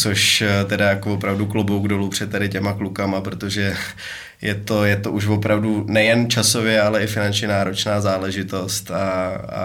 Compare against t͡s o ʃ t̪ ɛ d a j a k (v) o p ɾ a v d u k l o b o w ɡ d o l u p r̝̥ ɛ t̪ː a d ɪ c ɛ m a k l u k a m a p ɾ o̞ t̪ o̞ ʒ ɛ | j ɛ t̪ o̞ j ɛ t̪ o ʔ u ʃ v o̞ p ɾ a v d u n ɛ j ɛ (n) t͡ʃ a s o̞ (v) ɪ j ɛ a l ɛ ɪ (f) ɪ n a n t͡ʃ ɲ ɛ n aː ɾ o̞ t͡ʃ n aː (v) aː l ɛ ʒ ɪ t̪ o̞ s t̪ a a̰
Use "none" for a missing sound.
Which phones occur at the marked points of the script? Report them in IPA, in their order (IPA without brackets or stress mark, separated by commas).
v, n, v, f, z